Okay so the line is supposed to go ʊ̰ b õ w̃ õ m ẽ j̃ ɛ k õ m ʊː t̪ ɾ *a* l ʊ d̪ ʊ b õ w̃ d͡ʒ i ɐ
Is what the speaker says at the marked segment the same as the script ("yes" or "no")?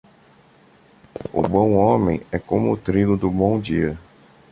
no